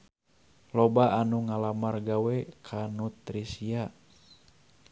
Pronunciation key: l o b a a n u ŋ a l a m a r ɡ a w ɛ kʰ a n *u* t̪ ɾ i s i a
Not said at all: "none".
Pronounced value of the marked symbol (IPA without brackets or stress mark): u